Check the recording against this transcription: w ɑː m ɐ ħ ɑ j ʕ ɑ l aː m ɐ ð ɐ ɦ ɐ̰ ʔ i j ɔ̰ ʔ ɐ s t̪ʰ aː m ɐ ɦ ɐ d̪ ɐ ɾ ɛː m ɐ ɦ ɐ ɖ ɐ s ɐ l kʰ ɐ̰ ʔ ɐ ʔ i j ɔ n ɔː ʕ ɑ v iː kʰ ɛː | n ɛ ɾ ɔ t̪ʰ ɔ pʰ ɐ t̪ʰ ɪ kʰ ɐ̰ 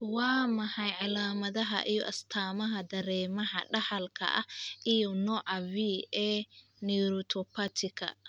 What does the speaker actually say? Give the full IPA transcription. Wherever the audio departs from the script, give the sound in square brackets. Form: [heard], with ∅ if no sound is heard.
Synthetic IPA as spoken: w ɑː m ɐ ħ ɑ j ʕ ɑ l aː m ɐ ð ɐ ɦ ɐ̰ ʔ i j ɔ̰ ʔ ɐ s t̪ʰ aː m ɐ ɦ ɐ d̪ ɐ ɾ ɛː m ɐ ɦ ɐ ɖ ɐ [ħ] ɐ l kʰ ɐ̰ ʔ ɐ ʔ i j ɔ n ɔː ʕ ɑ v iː [∅] ɛː | n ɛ ɾ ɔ t̪ʰ ɔ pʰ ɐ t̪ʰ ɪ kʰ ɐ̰